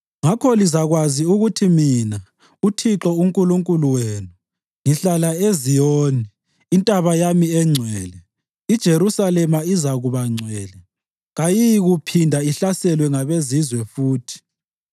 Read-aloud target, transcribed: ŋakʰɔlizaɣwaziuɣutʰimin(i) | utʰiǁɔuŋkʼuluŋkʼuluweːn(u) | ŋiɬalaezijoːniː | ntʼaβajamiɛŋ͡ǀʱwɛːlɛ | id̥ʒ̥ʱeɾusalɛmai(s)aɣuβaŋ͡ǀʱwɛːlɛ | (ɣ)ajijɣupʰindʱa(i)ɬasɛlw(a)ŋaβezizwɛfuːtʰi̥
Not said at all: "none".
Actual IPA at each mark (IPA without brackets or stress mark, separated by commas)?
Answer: a, u, z, ɣ, i, ɛ